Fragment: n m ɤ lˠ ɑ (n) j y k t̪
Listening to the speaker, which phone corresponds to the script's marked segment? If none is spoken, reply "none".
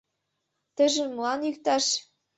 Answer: n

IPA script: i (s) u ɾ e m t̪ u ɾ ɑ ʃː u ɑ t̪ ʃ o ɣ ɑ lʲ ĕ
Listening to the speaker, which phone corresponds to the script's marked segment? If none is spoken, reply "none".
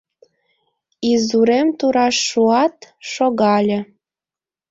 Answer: z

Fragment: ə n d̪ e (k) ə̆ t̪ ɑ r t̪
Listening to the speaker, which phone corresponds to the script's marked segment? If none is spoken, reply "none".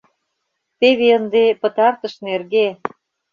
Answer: p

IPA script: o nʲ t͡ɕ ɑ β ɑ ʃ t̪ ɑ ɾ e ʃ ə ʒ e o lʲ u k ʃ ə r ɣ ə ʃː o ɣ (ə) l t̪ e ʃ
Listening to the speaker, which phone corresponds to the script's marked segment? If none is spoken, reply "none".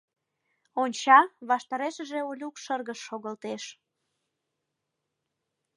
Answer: ə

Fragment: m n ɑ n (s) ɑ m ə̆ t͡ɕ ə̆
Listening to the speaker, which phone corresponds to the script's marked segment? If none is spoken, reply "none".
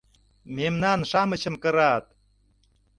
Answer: ʃ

